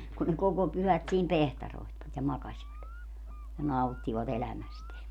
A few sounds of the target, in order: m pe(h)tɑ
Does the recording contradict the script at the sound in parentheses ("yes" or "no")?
no